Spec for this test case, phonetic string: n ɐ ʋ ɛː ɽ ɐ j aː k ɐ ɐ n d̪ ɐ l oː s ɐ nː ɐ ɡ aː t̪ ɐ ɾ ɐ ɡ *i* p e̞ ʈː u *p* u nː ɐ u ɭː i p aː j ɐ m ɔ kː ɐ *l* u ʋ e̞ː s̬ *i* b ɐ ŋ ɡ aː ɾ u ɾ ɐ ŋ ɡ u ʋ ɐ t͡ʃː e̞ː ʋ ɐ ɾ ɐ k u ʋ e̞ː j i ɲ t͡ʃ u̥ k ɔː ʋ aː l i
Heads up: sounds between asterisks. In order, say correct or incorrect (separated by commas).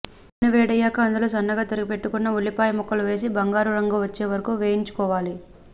correct, incorrect, correct, correct